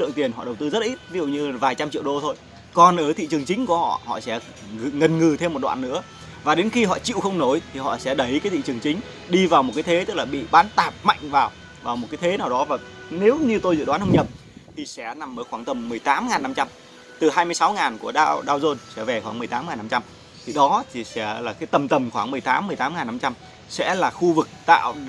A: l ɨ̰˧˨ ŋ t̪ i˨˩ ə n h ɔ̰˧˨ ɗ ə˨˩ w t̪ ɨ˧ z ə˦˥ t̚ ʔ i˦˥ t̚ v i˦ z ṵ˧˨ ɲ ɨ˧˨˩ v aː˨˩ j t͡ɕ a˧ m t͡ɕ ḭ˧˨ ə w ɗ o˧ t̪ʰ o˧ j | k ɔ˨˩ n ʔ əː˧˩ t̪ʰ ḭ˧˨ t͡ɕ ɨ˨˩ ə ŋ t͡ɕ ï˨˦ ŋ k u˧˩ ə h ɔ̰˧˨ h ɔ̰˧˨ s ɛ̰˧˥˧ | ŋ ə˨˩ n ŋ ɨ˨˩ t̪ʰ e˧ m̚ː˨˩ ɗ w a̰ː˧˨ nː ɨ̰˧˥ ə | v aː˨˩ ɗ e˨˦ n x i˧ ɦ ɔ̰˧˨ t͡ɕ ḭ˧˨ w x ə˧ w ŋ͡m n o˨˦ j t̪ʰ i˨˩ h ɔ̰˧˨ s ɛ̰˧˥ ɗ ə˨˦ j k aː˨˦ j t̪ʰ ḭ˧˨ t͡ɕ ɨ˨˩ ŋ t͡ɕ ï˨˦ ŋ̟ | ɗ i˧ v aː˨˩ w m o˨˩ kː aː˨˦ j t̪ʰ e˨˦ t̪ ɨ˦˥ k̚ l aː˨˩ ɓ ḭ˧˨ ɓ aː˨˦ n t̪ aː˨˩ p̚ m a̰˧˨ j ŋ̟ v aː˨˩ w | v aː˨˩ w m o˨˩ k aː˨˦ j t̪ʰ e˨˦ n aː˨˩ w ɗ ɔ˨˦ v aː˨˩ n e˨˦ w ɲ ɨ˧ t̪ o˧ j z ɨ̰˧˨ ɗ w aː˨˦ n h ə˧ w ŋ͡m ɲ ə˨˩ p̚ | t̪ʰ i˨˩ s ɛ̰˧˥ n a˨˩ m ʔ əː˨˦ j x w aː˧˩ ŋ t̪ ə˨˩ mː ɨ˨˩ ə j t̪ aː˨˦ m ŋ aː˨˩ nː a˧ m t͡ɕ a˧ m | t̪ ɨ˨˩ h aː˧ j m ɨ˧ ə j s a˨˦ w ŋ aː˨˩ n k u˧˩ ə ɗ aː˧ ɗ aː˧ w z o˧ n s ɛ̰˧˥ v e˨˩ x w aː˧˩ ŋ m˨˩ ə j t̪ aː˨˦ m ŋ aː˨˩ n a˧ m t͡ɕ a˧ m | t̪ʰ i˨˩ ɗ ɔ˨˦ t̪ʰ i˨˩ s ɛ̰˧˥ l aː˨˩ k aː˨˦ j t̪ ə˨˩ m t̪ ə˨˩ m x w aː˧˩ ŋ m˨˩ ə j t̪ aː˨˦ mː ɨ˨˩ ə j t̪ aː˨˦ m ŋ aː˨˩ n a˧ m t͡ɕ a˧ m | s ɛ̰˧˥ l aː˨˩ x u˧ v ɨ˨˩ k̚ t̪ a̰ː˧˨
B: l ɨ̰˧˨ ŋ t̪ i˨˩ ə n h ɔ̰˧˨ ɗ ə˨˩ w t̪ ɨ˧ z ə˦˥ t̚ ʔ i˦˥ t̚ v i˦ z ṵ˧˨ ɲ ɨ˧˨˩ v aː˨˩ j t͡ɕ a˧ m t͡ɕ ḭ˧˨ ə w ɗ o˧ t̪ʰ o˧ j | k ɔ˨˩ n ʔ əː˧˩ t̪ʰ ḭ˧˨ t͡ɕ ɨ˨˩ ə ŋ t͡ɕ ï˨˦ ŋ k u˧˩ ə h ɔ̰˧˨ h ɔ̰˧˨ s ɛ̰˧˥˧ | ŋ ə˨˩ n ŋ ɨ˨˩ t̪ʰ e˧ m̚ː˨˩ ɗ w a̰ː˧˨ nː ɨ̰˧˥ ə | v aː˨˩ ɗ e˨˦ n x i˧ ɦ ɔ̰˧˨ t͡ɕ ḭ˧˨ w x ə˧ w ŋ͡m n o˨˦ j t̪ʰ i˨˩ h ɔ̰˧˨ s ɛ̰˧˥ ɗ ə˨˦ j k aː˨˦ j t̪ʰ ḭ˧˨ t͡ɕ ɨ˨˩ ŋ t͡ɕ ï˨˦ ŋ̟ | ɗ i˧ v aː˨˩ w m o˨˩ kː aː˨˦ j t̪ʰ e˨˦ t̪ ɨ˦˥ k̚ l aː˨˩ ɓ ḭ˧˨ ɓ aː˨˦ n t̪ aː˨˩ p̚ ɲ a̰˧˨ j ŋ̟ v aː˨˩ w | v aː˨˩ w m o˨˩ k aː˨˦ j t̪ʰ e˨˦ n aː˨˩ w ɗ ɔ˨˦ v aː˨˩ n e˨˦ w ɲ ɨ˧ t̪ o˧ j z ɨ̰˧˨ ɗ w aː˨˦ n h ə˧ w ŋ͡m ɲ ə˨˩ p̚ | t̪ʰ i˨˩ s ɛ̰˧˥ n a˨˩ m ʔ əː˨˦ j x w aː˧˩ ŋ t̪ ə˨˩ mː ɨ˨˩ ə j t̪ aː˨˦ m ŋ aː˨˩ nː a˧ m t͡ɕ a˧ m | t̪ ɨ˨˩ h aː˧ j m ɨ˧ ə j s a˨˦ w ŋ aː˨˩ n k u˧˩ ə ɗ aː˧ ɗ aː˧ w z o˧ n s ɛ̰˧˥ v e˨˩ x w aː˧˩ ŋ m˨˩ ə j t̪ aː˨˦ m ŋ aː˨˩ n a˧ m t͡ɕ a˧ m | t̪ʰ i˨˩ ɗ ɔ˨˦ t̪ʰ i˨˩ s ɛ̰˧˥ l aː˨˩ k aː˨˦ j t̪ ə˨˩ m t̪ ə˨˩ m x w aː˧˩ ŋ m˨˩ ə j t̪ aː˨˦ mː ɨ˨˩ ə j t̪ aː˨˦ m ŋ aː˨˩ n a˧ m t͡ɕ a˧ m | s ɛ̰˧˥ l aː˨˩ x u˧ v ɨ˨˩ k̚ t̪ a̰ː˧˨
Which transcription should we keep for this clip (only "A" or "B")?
A